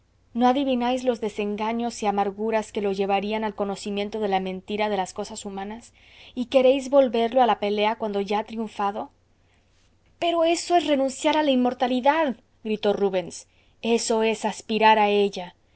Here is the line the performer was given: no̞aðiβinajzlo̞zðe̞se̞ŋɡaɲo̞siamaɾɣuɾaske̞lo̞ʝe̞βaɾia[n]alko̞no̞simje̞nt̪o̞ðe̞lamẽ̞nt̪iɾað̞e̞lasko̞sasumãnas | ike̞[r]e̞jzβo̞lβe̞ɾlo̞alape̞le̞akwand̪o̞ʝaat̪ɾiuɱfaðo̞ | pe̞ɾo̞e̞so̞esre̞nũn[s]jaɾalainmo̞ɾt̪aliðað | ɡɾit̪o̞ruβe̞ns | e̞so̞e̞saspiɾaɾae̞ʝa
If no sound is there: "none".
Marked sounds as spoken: n, ɾ, s

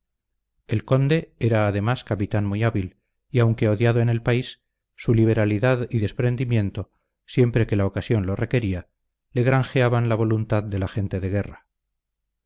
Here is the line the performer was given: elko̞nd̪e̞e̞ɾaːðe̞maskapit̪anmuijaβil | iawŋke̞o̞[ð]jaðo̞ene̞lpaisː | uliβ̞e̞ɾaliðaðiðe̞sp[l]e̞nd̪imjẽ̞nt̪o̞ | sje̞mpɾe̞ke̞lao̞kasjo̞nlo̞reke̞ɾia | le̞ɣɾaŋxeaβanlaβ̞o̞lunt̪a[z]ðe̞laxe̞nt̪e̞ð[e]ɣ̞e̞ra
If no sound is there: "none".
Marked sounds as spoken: ð, ɾ, ð, e

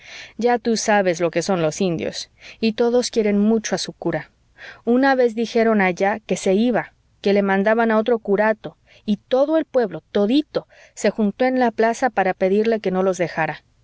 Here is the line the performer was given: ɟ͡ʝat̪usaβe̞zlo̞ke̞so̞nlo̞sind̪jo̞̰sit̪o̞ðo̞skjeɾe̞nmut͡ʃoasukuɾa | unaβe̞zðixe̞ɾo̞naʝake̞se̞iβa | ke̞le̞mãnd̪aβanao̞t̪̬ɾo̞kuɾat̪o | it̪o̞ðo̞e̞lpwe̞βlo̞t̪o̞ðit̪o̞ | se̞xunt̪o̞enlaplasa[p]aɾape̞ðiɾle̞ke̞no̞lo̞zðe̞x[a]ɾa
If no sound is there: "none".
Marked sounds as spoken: p, a

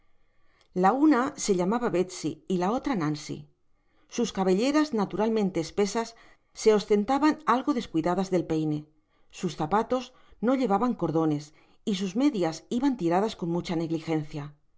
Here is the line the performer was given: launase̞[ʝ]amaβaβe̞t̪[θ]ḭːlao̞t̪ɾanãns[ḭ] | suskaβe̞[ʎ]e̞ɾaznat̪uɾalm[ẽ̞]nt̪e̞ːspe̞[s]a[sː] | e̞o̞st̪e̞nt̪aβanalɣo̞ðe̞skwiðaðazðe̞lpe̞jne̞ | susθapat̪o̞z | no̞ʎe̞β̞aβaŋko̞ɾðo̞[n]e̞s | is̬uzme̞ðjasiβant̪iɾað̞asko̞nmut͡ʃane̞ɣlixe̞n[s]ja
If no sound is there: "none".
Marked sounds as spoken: ʎ, s, ḭ, ʎ, ẽ̞, s, sː, n, θ

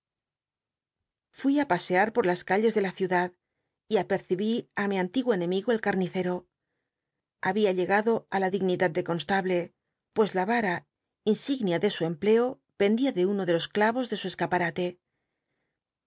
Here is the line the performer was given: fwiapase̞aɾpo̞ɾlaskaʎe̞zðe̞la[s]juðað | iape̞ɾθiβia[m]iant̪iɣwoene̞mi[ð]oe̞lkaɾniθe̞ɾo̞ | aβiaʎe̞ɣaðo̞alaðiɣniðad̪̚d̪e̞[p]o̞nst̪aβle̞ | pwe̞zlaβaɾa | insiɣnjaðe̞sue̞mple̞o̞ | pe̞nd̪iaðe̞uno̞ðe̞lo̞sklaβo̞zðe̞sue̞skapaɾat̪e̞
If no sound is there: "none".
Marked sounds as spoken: θ, m, ɣ, k

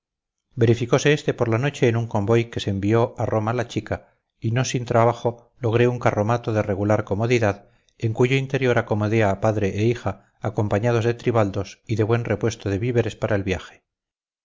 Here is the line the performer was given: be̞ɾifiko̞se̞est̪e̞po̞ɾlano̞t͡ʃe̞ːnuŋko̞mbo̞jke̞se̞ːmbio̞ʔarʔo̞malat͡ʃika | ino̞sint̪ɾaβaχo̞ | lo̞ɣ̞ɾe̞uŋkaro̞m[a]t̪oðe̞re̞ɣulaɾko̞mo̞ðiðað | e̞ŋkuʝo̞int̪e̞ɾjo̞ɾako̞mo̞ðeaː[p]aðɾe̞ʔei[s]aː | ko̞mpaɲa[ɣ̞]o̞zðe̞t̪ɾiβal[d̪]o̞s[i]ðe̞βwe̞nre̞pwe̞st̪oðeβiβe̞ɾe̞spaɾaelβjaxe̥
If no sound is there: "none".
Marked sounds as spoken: a, p, x, ð̞, d̪, i

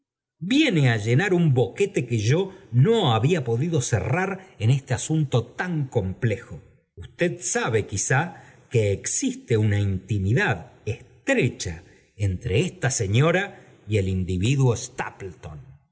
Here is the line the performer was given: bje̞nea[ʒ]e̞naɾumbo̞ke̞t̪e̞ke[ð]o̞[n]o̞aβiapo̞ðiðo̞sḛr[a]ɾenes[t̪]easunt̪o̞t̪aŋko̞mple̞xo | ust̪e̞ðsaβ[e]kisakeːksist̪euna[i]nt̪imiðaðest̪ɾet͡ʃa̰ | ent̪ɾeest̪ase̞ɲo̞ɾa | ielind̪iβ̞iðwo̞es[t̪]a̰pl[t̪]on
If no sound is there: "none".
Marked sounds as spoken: ʒ, ʒ, n, a, t̪, e, i, t̪, t̪

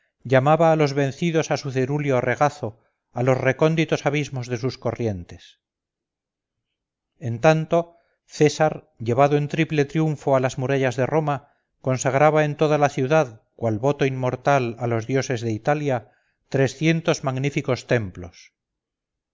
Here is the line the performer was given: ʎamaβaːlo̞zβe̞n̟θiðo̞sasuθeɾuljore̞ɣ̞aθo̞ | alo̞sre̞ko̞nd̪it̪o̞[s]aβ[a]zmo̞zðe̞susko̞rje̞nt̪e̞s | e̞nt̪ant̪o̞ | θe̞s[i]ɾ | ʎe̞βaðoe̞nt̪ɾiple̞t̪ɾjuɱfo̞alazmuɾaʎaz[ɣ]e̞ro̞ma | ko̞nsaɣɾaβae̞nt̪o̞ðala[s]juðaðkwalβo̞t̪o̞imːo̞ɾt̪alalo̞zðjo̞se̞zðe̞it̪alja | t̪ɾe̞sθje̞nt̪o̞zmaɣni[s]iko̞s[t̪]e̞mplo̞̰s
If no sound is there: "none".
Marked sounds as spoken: s, i, a, ð, θ, f, t̪

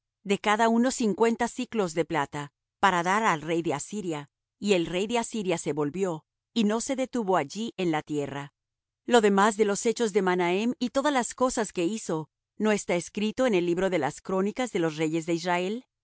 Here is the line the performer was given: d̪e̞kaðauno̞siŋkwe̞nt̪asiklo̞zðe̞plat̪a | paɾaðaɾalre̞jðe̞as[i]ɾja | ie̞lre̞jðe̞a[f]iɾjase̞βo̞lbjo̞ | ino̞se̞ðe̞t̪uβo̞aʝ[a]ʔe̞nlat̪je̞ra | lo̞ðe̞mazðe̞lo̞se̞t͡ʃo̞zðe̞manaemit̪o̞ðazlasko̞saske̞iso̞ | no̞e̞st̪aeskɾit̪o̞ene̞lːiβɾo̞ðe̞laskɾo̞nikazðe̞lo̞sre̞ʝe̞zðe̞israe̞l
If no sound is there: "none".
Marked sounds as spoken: i, s, i

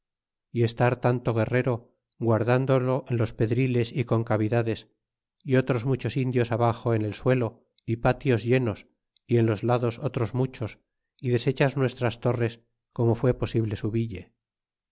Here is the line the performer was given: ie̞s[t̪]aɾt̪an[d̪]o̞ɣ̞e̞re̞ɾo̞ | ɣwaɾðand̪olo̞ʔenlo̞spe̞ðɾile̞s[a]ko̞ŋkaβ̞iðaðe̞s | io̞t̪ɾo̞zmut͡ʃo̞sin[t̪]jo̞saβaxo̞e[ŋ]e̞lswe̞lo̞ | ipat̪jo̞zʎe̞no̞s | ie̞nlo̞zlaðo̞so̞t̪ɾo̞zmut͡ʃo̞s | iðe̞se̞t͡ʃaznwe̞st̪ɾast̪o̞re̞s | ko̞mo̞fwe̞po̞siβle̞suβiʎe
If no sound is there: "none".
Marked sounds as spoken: t̪, t̪, i, d̪, n

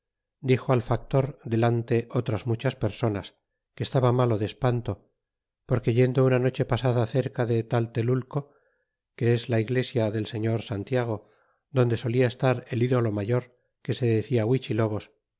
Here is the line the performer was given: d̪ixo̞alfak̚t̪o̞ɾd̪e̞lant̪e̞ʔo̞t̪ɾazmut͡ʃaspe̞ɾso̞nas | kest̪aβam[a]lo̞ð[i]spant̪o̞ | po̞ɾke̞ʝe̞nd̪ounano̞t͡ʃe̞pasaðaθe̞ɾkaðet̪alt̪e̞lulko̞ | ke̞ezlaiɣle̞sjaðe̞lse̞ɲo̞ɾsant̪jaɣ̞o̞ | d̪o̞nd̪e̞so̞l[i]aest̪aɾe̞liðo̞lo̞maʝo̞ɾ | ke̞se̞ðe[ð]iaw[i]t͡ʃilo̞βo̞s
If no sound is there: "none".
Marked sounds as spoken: a, e, i, θ, i

